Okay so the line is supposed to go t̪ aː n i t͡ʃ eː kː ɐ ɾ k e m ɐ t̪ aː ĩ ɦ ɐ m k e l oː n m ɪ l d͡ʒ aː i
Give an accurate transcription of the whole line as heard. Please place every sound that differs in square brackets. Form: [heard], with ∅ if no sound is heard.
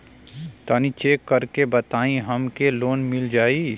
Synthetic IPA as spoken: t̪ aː n i t͡ʃ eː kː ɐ ɾ k e [b] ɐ t̪ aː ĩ ɦ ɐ m k e l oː n m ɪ l d͡ʒ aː i